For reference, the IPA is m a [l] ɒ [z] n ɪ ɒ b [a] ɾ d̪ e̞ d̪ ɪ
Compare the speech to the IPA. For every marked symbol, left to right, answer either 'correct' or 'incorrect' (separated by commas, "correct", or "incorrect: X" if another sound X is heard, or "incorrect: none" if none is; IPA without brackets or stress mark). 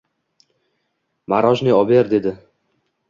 incorrect: ɾ, incorrect: ʒ, incorrect: e